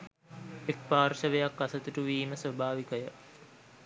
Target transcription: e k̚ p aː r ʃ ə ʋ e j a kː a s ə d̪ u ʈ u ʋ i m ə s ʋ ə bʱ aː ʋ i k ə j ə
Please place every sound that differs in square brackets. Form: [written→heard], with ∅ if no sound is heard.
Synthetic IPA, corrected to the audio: e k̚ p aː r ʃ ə ʋ e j a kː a s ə [d̪→t̪] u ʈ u ʋ [i→iː] m ə s ʋ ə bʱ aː ʋ i k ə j ə